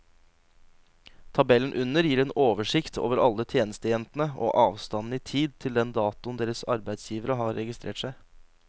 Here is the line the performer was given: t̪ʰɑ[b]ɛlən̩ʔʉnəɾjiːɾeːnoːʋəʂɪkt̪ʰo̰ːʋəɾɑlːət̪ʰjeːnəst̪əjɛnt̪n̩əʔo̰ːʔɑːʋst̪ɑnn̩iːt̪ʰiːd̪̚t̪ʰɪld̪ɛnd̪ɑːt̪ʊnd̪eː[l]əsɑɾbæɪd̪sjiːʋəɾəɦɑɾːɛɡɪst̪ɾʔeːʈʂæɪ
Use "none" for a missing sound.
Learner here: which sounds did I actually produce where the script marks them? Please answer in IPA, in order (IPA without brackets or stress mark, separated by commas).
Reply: b, ɾ